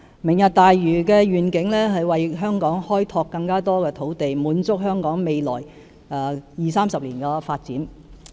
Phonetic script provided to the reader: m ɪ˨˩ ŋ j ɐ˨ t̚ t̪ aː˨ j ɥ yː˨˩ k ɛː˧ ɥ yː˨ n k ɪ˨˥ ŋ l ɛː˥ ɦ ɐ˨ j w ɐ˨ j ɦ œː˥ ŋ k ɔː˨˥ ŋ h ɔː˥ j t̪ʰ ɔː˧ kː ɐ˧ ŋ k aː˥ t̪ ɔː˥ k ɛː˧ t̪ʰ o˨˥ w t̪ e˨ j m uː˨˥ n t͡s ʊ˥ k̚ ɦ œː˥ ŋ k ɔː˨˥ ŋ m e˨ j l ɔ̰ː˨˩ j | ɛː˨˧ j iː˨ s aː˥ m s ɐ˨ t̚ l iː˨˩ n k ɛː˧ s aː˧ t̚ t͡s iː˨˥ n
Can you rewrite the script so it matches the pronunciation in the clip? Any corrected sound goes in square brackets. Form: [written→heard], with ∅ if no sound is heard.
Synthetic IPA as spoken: m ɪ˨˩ ŋ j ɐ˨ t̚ t̪ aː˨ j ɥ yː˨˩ k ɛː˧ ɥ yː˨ n k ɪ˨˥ ŋ l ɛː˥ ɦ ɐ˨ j w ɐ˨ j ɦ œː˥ ŋ k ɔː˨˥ ŋ h ɔː˥ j t̪ʰ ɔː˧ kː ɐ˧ ŋ k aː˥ t̪ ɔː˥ k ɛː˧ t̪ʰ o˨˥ w t̪ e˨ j m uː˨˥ n t͡s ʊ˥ k̚ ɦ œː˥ ŋ k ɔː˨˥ ŋ m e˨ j l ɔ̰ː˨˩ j | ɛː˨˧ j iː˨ s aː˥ m s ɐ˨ [t̚→p̚] l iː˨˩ n k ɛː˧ [s→f] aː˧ t̚ t͡s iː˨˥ n